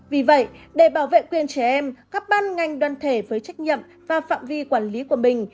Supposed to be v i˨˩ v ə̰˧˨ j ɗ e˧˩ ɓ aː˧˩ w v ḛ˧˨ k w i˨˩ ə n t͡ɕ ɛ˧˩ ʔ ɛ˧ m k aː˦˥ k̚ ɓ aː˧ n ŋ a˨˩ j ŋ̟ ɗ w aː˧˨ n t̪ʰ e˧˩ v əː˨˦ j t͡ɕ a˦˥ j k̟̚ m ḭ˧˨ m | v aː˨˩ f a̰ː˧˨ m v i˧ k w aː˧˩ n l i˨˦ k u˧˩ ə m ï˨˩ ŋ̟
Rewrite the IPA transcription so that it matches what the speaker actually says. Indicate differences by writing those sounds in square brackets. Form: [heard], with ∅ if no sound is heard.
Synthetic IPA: v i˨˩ v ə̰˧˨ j ɗ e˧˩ ɓ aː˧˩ w v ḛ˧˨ k w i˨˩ ə n t͡ɕ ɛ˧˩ ʔ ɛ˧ m k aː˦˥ k̚ ɓ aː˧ n ŋ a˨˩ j ŋ̟ ɗ w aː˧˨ n t̪ʰ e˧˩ v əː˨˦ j t͡ɕ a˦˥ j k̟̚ [ɲ] ḭ˧˨ m | v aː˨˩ f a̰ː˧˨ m v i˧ k w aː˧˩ n l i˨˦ k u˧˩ ə m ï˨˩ ŋ̟